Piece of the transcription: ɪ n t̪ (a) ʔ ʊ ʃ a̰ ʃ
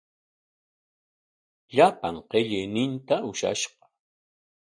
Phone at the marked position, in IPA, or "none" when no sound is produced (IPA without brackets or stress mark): a